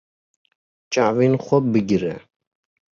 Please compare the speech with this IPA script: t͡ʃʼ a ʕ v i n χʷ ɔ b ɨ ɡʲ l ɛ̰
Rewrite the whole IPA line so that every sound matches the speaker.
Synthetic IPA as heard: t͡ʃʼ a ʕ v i n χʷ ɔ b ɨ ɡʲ ɾ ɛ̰